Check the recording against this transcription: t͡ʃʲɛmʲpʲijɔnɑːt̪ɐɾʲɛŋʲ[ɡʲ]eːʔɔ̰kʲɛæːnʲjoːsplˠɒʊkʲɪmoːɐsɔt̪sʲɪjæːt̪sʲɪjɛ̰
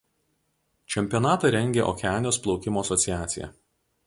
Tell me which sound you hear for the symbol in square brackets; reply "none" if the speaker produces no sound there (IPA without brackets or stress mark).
ɡʲ